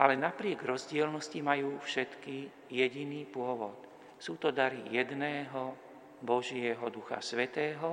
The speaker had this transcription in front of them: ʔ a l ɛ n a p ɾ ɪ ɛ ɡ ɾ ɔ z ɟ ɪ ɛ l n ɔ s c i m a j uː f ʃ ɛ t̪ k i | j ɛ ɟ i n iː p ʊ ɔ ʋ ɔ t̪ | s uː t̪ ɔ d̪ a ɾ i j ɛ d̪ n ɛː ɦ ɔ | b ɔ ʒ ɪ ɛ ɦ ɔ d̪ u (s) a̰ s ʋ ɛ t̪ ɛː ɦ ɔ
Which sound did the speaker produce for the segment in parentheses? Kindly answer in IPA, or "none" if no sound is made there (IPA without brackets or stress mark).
x